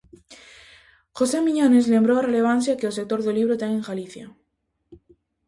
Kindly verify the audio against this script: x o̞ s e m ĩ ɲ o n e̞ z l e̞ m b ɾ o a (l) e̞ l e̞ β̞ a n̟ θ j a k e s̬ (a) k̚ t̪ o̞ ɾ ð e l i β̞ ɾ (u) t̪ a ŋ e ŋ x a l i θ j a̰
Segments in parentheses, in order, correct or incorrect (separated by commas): incorrect, incorrect, incorrect